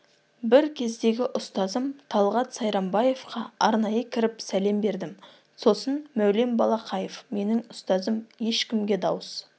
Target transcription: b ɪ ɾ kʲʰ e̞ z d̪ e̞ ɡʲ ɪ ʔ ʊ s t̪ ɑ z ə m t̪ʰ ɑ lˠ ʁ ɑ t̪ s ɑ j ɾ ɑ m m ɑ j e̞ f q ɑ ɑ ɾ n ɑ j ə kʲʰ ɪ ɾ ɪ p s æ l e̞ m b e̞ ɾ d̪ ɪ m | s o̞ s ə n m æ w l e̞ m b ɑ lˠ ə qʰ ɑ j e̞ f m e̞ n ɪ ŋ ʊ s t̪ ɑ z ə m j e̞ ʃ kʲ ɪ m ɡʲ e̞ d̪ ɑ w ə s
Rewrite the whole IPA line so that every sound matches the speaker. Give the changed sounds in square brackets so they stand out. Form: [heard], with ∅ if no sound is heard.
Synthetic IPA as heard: b ɪ ɾ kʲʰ e̞ z d̪ e̞ ɡʲ ɪ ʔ ʊ s t̪ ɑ z ə m t̪ʰ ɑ lˠ ʁ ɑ t̪ s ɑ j ɾ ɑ m [b] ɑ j e̞ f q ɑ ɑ ɾ n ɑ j ə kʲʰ ɪ ɾ ɪ p s æ l e̞ m b e̞ ɾ d̪ ɪ m | s o̞ s ə n m æ w l e̞ m b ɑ lˠ [ɑ] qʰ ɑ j e̞ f m e̞ n ɪ ŋ ʊ s t̪ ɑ z ə m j e̞ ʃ kʲ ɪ m ɡʲ e̞ d̪ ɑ w ə s